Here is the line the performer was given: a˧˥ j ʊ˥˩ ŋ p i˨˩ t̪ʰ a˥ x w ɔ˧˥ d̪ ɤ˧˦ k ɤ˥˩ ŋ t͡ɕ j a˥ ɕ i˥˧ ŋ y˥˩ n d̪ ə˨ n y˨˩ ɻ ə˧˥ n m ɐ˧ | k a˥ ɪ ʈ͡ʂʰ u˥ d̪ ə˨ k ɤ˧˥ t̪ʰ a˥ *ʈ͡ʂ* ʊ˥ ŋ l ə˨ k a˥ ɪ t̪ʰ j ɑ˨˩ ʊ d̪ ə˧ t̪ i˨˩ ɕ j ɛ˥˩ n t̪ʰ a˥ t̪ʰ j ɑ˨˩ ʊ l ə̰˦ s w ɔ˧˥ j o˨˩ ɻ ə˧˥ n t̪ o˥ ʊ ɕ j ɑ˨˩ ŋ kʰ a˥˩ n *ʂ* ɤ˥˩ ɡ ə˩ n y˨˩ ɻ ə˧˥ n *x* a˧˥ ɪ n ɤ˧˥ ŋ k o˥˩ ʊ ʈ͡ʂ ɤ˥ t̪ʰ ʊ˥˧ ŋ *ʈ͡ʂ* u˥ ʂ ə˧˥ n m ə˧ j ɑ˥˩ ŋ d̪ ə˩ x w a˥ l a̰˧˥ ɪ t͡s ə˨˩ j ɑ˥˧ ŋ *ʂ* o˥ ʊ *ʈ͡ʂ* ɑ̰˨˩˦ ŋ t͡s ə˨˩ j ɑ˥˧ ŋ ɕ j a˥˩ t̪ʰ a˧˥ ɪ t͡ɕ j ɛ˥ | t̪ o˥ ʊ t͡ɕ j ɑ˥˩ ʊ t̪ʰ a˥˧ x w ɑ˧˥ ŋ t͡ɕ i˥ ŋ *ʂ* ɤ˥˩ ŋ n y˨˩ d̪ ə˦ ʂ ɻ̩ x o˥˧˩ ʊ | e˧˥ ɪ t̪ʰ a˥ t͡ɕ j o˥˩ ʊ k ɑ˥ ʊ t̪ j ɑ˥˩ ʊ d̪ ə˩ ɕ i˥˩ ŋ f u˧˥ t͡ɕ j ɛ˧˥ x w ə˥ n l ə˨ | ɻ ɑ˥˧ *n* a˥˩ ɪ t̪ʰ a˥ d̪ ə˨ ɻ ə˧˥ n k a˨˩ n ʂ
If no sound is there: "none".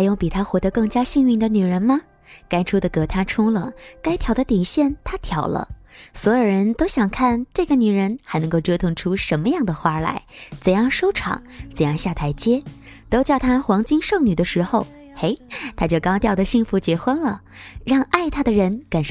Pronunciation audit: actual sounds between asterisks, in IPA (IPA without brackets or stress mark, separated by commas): ʈ͡ʂʰ, ʈ͡ʂ, x, ʈ͡ʂʰ, ʂ, ʈ͡ʂʰ, ʂ, ŋ